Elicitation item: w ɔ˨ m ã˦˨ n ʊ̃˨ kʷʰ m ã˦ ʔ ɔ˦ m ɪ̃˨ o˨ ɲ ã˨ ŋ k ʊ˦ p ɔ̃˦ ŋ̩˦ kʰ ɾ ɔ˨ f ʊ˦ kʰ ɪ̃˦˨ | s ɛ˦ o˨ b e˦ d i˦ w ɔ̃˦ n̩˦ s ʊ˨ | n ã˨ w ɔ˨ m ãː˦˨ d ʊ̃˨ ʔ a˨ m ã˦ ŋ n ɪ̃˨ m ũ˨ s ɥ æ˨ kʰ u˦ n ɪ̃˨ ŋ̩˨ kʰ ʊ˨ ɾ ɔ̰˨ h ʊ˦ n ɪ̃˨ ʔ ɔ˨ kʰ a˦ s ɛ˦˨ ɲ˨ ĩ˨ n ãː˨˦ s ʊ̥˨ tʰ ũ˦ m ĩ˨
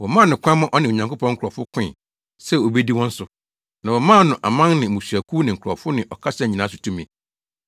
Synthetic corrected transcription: w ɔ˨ m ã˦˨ n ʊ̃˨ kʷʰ m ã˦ ʔ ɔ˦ n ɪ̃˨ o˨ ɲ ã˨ ŋ k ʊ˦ p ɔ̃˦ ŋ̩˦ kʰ ɾ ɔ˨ f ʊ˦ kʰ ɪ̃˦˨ | s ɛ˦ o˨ b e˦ d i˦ w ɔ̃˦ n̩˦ s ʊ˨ | n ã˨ w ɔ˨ m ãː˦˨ n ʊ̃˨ ʔ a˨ m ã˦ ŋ n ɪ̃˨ m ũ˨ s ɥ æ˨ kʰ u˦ n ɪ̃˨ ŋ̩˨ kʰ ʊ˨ ɾ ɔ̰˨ f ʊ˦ n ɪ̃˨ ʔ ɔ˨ kʰ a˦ s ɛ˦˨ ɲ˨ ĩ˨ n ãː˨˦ s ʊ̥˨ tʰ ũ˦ m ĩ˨